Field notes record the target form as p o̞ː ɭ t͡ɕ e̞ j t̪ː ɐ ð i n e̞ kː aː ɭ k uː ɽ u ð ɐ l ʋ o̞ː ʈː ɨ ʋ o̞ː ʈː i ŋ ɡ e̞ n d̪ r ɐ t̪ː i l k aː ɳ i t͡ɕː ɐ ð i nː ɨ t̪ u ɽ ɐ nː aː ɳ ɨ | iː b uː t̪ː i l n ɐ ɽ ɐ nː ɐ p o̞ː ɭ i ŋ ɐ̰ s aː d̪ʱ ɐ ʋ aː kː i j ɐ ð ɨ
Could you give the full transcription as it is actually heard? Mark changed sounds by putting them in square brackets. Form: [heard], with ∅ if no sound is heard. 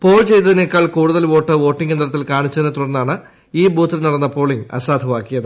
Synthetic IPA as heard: p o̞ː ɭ t͡ɕ e̞ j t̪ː ɐ ð i n e̞ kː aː ɭ k uː ɽ u ð ɐ l ʋ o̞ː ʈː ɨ ʋ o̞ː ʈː i ŋ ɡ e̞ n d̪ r ɐ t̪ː i l k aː ɳ i t͡ɕː ɐ ð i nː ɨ t̪ u ɽ ɐ nː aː ɳ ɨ | iː b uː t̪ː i l n ɐ ɽ ɐ nː ɐ p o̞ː ɭ i ŋ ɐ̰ s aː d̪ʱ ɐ ʋ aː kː i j ɐ ð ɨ